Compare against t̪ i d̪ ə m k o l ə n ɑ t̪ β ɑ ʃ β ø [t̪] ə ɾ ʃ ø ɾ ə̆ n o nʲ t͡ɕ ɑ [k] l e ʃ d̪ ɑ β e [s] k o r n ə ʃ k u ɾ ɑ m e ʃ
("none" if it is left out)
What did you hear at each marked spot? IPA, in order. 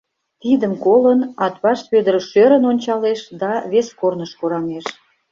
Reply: d̪, none, s

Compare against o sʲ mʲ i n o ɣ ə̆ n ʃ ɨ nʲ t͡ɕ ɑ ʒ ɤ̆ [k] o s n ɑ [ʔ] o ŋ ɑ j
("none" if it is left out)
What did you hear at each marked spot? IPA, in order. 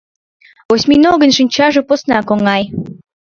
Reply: p, k

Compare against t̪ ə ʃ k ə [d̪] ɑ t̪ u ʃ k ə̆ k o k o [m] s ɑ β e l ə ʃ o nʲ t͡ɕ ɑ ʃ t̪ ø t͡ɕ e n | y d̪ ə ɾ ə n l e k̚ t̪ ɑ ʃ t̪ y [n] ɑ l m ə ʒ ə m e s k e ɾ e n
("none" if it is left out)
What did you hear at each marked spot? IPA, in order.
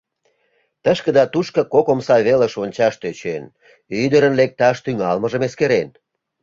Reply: d̪, m, ŋ

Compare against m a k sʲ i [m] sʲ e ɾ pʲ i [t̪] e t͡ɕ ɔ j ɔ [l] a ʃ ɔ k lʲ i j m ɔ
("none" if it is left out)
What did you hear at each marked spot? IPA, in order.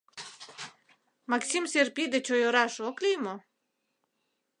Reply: m, d̪, ɾ

